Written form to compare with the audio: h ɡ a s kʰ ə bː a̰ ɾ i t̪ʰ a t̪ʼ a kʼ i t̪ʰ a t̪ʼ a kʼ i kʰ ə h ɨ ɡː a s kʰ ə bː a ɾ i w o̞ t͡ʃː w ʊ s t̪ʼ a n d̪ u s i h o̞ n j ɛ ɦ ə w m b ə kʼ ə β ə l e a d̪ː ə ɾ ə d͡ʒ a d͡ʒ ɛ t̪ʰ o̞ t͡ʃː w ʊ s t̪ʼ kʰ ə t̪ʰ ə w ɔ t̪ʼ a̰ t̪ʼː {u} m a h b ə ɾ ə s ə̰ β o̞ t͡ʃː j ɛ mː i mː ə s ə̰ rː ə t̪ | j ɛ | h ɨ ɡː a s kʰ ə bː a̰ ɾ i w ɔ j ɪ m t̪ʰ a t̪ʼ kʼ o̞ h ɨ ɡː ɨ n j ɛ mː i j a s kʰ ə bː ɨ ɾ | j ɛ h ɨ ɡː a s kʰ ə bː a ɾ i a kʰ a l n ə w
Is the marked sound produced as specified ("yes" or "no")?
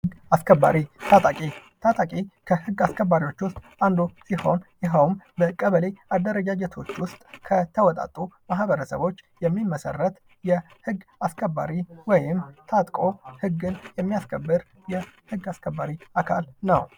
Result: yes